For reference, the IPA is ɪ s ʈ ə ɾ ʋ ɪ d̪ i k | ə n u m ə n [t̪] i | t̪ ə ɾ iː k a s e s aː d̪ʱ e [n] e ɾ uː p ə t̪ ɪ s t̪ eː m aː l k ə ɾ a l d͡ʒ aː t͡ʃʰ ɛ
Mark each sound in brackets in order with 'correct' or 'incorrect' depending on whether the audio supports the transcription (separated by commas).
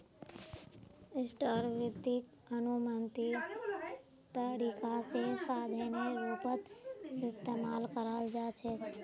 correct, correct